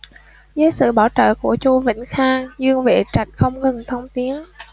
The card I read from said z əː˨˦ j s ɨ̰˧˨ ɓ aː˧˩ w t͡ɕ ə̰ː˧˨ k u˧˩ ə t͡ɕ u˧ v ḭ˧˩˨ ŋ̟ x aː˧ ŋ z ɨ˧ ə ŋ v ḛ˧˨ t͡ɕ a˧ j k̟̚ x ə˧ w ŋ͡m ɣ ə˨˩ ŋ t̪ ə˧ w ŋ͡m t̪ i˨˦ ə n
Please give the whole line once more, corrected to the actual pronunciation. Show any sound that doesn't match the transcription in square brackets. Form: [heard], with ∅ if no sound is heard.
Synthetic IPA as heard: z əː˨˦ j s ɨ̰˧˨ ɓ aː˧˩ w t͡ɕ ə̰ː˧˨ k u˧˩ ə t͡ɕ u˧ v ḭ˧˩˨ ŋ̟ x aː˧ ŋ z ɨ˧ ə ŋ v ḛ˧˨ t͡ɕ [a˨˩] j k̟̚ x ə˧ w ŋ͡m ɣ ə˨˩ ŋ [t̪ʰ] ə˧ w ŋ͡m t̪ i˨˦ ə n